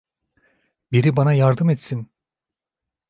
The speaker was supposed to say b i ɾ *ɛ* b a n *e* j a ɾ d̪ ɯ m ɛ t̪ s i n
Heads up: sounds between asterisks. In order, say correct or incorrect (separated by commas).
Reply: incorrect, incorrect